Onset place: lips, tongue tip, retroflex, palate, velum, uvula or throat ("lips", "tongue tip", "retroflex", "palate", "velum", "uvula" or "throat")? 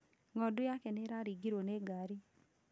velum